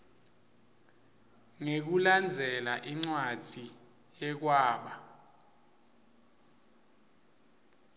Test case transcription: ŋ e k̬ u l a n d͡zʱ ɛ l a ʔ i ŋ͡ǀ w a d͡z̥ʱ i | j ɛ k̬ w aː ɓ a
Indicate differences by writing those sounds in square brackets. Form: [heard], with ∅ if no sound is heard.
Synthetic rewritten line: ŋ e k̬ u l a n d͡zʱ ɛ l a ʔ i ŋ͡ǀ w a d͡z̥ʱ i | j ɛ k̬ w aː ɓ a